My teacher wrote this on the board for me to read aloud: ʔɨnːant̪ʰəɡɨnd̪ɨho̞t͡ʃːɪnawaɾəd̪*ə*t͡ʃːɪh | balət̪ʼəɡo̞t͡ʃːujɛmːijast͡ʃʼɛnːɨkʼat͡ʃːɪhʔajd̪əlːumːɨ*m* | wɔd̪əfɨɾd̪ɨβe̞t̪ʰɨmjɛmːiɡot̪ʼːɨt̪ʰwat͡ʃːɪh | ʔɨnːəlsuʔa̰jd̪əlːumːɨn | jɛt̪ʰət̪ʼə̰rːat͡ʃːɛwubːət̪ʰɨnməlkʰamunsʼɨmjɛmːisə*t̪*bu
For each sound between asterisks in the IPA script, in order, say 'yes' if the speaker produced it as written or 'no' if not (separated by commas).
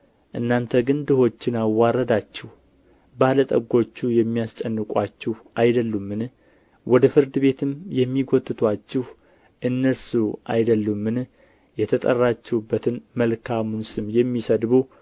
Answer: no, no, no